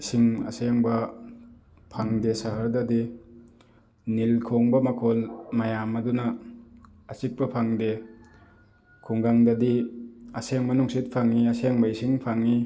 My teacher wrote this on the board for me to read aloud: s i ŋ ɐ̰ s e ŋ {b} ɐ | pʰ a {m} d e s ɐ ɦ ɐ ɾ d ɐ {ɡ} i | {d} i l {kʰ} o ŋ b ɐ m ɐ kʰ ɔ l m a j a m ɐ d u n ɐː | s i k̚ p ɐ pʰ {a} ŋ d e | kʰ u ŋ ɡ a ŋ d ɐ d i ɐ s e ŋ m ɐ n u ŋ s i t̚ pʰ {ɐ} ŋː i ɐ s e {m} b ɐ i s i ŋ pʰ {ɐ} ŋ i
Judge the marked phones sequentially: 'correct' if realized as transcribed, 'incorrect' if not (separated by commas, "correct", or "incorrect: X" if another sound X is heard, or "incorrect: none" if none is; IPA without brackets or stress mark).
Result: correct, incorrect: ŋ, incorrect: d, incorrect: n, correct, correct, incorrect: a, incorrect: ŋ, incorrect: a